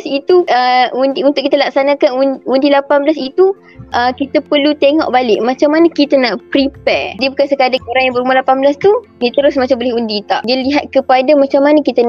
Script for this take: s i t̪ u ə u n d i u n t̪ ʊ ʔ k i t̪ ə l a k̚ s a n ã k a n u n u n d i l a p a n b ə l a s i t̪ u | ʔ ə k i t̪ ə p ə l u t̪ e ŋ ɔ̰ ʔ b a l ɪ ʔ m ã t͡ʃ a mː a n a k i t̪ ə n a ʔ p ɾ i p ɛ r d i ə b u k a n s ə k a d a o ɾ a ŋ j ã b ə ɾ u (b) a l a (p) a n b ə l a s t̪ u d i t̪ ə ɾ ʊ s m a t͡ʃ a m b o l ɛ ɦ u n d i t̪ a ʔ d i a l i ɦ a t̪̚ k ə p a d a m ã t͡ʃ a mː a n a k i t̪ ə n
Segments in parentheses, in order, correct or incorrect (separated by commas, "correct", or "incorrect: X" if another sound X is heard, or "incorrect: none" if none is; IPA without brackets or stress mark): incorrect: m, correct